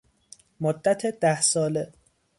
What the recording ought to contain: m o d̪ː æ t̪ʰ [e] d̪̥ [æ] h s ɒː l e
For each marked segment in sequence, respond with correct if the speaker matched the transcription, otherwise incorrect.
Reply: correct, correct

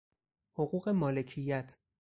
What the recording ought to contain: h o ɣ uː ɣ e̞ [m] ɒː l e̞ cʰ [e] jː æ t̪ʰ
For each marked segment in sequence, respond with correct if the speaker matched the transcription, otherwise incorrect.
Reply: correct, incorrect

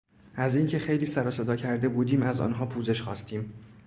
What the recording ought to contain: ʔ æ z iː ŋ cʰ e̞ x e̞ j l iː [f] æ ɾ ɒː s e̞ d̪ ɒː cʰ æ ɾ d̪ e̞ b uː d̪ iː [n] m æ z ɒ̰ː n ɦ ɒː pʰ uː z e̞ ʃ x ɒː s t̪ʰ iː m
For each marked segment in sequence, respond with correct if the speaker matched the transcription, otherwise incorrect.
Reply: incorrect, incorrect

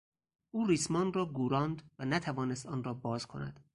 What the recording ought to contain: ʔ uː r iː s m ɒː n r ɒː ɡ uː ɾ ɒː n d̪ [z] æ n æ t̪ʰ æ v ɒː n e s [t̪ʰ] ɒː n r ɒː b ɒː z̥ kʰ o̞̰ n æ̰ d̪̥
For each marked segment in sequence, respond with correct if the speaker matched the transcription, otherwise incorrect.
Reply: incorrect, incorrect

